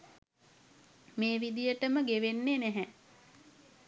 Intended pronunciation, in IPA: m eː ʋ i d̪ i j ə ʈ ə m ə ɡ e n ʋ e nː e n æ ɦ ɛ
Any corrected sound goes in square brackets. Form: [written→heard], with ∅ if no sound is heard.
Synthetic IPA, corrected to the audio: m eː ʋ i d̪ i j ə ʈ ə m ə ɡ e [n→∅] ʋ e nː e n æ ɦ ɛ